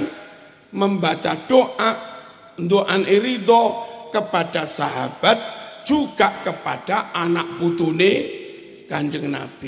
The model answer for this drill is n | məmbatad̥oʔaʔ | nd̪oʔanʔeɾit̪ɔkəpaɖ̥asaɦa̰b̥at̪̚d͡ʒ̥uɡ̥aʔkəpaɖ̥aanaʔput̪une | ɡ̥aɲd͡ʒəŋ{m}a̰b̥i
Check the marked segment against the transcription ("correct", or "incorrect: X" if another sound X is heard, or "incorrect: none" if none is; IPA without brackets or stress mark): incorrect: n